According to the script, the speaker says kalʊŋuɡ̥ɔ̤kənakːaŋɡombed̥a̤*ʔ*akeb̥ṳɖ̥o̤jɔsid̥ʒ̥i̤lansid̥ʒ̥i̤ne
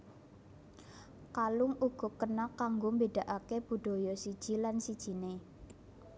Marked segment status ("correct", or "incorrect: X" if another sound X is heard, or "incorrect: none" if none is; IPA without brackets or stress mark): correct